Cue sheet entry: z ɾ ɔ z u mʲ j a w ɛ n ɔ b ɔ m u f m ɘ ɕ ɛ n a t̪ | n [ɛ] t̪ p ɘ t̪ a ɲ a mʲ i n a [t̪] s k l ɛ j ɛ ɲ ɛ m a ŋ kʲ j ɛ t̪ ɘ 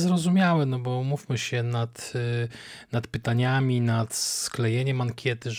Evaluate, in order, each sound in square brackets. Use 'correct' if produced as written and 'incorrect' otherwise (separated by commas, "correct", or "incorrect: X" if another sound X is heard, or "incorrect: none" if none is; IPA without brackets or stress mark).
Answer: incorrect: a, correct